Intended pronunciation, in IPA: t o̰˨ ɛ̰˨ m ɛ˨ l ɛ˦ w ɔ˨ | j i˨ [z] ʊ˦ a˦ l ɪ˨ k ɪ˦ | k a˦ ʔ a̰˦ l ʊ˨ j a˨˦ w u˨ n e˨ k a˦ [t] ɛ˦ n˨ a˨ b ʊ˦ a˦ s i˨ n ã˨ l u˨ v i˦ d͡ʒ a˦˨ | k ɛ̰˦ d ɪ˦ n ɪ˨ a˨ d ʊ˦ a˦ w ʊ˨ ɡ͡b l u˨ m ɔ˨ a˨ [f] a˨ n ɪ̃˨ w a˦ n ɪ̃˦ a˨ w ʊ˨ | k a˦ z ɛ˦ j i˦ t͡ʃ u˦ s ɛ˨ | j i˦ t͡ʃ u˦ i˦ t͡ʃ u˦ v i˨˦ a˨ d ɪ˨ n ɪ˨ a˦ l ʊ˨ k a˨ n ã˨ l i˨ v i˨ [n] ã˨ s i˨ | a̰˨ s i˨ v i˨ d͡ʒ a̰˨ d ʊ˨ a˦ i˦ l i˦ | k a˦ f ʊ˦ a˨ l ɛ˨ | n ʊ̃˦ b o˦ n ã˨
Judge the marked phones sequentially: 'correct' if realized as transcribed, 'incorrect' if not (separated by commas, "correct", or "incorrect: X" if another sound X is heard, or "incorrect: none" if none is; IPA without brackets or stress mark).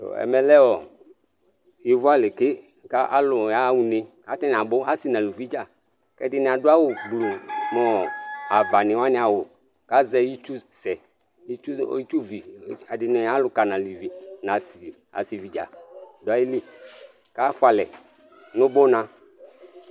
incorrect: v, correct, incorrect: v, correct